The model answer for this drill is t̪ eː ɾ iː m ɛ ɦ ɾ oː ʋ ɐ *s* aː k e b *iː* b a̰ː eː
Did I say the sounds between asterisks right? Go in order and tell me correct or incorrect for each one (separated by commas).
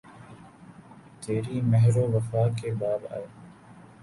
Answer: incorrect, incorrect